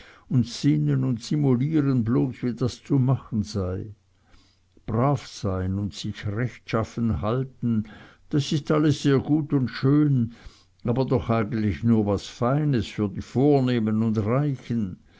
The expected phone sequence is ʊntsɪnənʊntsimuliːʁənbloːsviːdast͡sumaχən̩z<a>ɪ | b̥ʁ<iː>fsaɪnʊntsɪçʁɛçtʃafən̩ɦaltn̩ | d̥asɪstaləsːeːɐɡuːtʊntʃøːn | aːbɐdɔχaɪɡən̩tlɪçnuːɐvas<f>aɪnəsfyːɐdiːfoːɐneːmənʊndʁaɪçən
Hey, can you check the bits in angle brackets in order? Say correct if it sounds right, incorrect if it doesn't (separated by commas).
correct, incorrect, correct